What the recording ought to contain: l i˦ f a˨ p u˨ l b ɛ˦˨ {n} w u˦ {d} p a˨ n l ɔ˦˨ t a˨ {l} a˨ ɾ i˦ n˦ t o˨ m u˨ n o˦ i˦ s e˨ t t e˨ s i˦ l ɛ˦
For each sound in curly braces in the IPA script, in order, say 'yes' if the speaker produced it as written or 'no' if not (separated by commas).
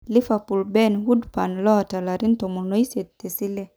yes, yes, yes